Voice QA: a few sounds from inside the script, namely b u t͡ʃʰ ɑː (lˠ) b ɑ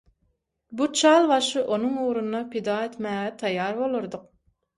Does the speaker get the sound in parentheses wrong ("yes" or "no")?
no